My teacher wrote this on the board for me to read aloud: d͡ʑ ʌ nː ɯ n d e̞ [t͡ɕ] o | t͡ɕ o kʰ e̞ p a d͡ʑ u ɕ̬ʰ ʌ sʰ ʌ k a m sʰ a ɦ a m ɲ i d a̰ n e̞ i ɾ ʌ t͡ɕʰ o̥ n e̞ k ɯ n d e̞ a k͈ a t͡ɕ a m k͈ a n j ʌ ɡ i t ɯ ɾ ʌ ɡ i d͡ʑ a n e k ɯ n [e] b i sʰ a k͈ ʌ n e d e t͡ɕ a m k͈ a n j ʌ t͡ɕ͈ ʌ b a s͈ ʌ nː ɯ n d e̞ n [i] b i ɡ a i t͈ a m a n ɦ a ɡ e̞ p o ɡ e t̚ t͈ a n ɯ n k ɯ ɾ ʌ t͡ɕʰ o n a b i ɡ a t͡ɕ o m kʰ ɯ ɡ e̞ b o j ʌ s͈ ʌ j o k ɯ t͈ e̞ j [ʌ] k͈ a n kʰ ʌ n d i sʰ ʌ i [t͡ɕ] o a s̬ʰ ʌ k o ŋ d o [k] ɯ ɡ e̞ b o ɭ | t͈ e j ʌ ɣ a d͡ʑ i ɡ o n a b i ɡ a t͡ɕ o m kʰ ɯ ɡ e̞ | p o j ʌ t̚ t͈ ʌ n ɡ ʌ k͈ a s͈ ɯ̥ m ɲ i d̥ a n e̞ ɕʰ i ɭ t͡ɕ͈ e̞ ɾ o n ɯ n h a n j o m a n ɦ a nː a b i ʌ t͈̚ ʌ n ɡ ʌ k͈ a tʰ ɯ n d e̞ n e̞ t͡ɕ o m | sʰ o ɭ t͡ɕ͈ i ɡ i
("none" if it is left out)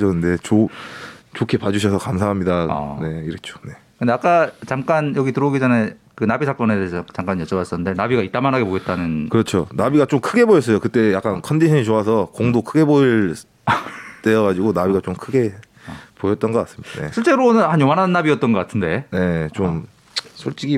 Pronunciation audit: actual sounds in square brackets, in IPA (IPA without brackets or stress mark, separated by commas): t͡ɕ, a, a, a, t͡ɕ, kʰ